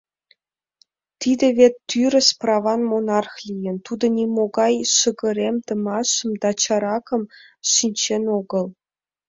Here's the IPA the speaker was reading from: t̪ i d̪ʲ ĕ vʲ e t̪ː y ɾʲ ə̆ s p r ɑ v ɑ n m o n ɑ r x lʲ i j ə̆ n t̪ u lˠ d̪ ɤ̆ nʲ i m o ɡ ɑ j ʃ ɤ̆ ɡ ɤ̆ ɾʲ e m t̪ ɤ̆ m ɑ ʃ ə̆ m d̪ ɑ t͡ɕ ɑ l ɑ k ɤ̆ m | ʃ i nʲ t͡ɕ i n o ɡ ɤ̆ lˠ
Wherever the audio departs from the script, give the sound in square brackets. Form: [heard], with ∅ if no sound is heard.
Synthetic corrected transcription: t̪ i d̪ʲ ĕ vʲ e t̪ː y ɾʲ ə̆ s p r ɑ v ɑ n m o n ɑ r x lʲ i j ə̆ n t̪ u [∅] d̪ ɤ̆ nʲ i m o ɡ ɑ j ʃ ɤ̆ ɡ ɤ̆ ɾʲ e m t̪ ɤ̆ m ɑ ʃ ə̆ m d̪ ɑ t͡ɕ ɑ [ɾ] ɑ k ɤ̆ m | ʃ i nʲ t͡ɕ [e] n o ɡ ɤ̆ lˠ